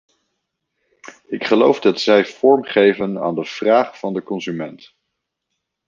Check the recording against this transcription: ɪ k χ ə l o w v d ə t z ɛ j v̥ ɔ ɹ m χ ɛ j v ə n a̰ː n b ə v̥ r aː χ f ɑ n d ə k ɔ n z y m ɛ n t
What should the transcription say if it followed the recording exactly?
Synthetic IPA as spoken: ɪ k χ ə l o w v d ɑ t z ɛ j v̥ ɔ ɹ m χ e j v ə n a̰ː n d ə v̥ r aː χ f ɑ n d ə k ɔ n z y m ɛ n t